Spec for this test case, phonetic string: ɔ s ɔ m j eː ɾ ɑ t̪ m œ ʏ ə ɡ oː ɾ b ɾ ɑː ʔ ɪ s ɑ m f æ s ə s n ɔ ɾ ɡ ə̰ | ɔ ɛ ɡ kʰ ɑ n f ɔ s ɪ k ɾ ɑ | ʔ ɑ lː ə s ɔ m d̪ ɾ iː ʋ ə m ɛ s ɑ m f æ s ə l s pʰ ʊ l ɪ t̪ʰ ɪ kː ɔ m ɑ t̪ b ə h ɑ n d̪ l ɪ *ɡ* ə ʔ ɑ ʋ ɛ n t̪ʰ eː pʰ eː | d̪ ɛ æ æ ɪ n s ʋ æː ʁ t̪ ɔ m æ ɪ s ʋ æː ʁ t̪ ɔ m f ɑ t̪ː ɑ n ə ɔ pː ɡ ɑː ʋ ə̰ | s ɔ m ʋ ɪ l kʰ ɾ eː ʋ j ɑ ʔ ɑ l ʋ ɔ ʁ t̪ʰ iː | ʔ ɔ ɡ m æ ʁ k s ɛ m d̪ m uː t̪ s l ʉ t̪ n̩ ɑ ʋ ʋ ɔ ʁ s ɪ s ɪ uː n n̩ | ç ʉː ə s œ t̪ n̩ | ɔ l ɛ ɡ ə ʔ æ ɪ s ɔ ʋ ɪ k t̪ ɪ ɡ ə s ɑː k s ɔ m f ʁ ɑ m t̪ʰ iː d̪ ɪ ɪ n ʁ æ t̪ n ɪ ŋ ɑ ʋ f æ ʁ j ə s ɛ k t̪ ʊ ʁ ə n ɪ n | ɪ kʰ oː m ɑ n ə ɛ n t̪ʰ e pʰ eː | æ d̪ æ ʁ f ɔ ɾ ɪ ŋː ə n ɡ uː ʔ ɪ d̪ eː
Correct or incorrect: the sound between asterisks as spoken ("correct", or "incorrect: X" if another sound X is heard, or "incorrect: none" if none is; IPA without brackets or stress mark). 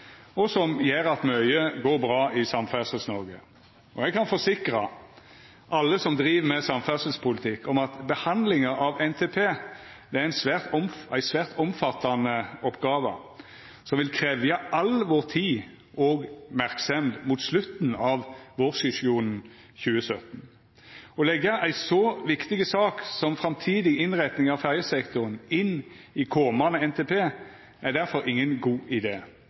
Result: incorrect: ŋ